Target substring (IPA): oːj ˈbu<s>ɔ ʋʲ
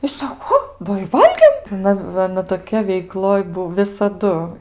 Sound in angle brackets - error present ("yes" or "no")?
yes